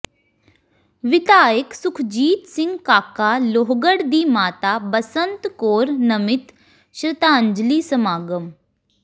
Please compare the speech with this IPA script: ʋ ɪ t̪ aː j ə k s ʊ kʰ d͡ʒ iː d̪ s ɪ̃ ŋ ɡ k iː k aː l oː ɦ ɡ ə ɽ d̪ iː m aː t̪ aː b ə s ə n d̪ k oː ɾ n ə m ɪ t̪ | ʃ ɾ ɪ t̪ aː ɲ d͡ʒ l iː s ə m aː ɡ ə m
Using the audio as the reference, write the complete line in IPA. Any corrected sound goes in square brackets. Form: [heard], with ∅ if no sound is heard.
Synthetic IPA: ʋ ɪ t̪ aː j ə k s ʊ kʰ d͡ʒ iː [t̪] s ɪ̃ ŋ ɡ k [aː] k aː l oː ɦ ɡ ə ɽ d̪ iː m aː t̪ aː b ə s ə n [t̪] k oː ɾ n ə m ɪ t̪ | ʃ ɾ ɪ t̪ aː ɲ d͡ʒ l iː s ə m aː ɡ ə m